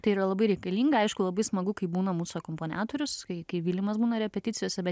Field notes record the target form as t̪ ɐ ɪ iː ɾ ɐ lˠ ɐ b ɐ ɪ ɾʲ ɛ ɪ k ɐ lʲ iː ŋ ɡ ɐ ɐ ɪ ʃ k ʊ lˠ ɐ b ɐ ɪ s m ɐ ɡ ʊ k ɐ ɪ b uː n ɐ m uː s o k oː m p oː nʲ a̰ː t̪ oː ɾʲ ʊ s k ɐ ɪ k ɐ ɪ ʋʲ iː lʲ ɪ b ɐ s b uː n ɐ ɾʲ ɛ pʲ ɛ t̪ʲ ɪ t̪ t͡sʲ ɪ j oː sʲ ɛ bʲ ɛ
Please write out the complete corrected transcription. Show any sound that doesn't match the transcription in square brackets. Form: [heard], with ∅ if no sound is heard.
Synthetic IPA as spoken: t̪ ɐ ɪ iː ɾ ɐ lˠ ɐ b ɐ ɪ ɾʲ ɛ ɪ k ɐ lʲ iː ŋ ɡ ɐ ɐ ɪ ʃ k ʊ lˠ ɐ b ɐ ɪ s m ɐ ɡ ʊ k ɐ ɪ b uː n ɐ m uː s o k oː m p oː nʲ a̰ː t̪ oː ɾʲ ʊ s k ɐ ɪ k ɐ ɪ ʋʲ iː lʲ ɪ [m] ɐ s b uː n ɐ ɾʲ ɛ pʲ ɛ t̪ʲ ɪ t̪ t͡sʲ ɪ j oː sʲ ɛ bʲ ɛ